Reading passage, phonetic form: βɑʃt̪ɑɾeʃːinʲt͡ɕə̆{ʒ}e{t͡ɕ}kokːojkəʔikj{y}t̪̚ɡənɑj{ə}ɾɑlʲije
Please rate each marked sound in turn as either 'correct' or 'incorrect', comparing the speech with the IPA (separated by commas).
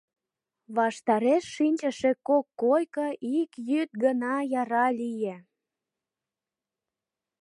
incorrect, incorrect, correct, incorrect